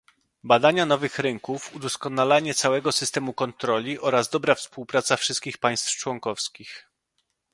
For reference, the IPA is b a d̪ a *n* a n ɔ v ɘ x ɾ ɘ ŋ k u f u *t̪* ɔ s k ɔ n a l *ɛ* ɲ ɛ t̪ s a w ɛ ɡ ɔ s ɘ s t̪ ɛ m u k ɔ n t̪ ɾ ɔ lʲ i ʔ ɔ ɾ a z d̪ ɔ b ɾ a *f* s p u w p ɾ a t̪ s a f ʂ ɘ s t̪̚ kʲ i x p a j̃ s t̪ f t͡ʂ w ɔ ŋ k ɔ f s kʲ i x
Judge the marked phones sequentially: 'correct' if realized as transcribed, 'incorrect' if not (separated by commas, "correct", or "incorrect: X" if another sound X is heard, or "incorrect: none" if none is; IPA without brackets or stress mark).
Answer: incorrect: ɲ, incorrect: d̪, incorrect: a, correct